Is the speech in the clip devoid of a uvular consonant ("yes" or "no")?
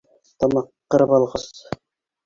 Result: no